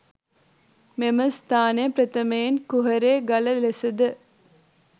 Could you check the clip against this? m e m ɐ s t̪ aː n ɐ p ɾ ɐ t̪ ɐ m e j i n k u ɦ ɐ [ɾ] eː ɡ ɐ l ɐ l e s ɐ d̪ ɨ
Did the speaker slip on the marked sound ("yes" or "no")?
no